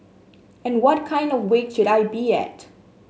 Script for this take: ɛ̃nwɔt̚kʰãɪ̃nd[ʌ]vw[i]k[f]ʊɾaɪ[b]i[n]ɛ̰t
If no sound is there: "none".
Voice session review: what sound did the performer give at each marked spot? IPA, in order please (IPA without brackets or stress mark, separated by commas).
ɔ, e, ʃ, b, none